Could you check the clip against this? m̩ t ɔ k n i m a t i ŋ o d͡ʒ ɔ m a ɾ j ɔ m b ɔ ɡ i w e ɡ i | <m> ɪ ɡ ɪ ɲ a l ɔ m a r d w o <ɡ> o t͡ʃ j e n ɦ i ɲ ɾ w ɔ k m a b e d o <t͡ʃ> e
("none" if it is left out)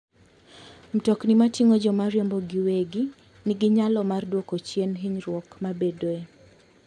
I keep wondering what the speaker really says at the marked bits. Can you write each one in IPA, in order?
n, k, none

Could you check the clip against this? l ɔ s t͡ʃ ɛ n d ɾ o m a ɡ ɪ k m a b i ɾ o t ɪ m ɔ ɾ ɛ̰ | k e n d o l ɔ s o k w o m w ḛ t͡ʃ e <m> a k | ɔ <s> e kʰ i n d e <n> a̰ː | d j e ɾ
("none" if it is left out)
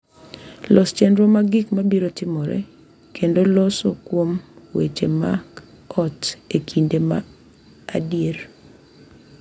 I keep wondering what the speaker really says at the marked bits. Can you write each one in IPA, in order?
m, t, m

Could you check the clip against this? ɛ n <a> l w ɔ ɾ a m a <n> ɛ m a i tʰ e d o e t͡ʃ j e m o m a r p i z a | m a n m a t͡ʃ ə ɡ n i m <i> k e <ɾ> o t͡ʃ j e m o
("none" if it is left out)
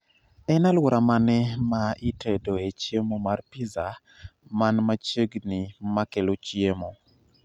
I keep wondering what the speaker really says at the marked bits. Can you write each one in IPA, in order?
a, n, a, l

